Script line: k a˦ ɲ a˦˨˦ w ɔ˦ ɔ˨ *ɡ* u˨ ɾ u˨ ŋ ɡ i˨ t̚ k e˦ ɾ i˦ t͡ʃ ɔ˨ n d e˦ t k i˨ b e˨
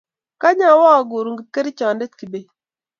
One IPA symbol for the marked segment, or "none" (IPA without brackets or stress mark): ɡ